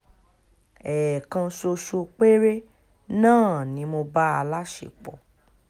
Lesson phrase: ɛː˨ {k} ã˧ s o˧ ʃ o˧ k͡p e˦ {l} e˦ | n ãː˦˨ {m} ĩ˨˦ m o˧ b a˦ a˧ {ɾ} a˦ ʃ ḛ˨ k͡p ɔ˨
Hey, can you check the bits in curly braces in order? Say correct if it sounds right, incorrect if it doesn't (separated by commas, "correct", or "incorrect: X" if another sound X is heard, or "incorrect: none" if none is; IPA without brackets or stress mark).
correct, incorrect: ɾ, incorrect: n, incorrect: l